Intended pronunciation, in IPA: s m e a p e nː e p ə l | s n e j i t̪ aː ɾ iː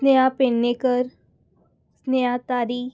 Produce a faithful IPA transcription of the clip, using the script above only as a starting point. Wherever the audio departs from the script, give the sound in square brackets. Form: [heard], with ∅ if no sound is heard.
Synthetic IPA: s [n] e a p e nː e [k] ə [ɾ] | s n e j [a] t̪ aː ɾ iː